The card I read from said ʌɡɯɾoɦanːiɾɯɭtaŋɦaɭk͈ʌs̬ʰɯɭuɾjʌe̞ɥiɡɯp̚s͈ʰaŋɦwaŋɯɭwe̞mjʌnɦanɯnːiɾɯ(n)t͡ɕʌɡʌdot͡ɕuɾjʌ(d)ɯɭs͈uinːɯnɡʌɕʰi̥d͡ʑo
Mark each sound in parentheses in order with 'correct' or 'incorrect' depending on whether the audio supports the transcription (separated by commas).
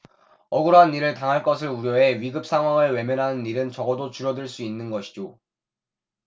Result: correct, correct